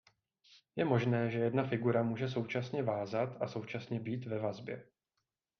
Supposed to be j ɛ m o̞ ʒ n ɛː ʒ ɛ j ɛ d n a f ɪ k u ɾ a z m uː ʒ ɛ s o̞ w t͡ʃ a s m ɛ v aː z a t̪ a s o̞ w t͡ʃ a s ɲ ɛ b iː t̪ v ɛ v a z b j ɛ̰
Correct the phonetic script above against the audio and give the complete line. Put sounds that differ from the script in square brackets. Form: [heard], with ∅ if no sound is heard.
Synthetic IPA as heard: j ɛ m o̞ ʒ n ɛː ʒ ɛ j ɛ d n a f ɪ [ɡ] u ɾ a [∅] m uː ʒ ɛ s o̞ w t͡ʃ a s [ɲ] ɛ v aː z a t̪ a s o̞ w t͡ʃ a s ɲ ɛ b iː t̪ v ɛ v a z b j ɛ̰